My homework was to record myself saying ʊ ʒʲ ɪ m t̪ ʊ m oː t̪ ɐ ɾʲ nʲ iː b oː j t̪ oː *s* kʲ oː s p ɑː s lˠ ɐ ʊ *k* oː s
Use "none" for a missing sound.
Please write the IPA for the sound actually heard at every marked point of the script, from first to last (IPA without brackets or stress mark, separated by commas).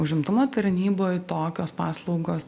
none, ɡ